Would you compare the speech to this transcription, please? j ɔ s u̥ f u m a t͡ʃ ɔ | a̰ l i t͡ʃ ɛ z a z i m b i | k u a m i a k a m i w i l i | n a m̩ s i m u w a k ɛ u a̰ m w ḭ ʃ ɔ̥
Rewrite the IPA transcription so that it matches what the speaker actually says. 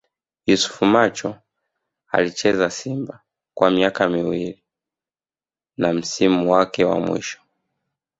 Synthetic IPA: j u s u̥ f u m a t͡ʃ ɔ | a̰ l i t͡ʃ ɛ z a s i m b a | k w a m i a k a m i w i l i | n a m̩ s i m u w a k ɛ w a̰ m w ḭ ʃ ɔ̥